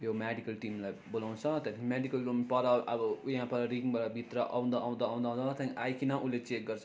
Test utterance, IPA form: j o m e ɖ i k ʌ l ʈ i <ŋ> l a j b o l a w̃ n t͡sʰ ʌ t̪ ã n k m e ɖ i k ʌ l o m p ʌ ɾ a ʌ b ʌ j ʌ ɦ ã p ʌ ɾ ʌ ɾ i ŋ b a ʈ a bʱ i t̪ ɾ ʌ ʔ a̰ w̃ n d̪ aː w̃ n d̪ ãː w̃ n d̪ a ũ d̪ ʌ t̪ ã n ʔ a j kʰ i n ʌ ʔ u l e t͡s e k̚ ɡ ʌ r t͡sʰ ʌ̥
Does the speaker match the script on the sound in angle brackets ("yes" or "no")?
no